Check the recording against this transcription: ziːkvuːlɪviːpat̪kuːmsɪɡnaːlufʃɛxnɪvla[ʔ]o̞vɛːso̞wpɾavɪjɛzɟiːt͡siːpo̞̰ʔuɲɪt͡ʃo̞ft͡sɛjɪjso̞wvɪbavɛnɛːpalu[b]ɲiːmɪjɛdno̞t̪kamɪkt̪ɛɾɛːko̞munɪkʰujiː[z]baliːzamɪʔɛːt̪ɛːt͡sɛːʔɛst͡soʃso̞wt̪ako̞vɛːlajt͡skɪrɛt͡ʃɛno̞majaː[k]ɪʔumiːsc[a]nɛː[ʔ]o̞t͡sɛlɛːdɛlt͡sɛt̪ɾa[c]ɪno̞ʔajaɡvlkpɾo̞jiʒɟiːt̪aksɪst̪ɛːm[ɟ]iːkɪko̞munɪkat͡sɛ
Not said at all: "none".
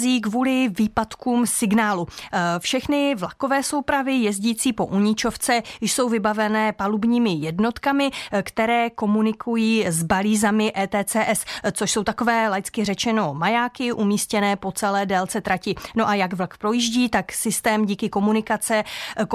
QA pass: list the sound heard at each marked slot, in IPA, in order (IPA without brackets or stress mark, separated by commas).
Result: k, b, z, k, ɛ, p, c, ɟ